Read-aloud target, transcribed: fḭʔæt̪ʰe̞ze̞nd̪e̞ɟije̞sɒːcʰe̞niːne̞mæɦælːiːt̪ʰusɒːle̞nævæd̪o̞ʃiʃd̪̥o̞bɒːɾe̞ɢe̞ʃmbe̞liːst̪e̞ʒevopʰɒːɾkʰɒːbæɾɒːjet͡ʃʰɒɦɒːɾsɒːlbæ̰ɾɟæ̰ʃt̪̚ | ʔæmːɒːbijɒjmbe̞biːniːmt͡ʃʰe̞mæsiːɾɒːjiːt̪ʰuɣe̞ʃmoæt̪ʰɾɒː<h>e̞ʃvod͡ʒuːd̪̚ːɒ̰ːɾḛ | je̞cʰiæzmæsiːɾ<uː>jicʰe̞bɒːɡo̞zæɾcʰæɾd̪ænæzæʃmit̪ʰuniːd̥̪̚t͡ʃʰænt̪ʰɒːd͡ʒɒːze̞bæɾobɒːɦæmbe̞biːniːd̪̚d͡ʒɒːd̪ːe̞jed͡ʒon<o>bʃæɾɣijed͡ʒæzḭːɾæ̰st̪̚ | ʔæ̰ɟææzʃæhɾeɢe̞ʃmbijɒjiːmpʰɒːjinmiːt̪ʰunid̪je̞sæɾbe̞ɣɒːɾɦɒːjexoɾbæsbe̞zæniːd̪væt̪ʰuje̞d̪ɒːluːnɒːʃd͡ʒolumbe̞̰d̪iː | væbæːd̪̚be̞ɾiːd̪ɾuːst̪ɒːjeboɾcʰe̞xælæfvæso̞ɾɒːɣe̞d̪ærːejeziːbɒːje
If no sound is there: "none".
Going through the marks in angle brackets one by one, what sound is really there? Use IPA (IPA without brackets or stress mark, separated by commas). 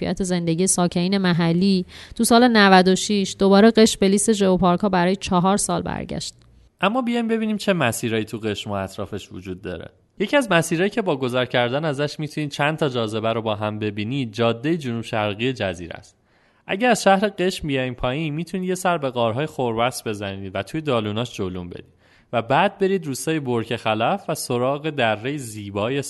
f, ɒː, u